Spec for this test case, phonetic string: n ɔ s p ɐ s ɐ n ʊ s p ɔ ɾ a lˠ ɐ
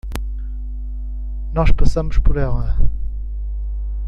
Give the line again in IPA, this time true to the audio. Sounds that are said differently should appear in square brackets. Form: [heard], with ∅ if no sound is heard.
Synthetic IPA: n ɔ [ʃ] p ɐ s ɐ [m] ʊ [ʃ] p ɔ ɾ [ɛ] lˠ ɐ